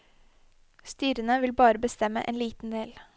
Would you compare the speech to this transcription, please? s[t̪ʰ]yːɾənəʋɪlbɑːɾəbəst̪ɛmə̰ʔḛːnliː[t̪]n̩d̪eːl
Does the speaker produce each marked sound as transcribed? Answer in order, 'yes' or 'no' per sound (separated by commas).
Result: no, yes